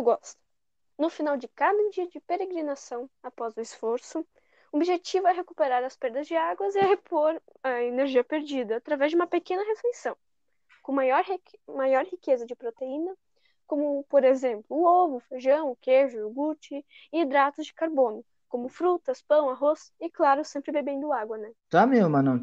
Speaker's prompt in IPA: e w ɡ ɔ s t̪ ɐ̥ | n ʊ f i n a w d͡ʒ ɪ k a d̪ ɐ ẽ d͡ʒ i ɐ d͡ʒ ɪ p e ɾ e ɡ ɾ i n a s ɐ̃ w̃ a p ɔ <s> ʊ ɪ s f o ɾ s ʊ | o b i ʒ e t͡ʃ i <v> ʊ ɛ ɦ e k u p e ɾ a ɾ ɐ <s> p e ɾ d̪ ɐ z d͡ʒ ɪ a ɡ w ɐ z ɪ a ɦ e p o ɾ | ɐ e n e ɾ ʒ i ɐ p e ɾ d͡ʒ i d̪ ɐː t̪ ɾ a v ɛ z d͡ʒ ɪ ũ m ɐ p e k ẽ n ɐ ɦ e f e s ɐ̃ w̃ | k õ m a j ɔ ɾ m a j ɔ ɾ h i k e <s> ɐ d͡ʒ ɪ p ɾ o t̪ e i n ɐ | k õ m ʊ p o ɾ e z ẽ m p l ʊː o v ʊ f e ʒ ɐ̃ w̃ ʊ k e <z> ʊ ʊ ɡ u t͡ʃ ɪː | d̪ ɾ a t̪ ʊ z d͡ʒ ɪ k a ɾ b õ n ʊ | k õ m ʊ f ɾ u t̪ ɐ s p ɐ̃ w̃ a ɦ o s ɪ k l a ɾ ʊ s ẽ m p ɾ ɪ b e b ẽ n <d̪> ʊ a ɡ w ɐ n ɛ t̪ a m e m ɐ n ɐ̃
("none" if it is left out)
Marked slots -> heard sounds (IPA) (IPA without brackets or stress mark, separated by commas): z, v, s, z, ʒ, d̪